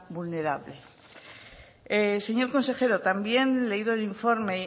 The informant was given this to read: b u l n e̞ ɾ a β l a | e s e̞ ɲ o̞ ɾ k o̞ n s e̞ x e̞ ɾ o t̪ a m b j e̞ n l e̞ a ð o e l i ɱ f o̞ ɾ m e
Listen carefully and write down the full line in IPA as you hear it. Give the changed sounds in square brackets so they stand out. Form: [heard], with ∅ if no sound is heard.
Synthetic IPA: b u l n e̞ ɾ a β l [e] | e s e̞ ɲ o̞ ɾ k o̞ n s e̞ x e̞ ɾ o t̪ a m b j e̞ n l e̞ [i] ð o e l i ɱ f o̞ ɾ m e